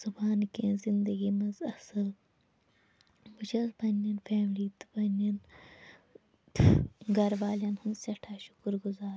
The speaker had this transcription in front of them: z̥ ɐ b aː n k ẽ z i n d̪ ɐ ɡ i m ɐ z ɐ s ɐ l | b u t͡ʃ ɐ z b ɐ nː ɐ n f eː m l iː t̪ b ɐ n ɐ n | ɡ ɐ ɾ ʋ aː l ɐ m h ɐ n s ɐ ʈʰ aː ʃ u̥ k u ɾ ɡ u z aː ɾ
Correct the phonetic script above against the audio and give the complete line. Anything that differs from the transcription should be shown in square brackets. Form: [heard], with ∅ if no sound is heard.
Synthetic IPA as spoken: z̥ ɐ b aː n k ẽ z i n d̪ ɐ ɡ i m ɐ z ɐ s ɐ l | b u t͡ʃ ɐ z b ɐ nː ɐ n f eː m l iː t̪ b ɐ n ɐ n | ɡ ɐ ɾ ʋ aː l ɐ [n] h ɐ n s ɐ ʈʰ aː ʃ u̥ k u ɾ ɡ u z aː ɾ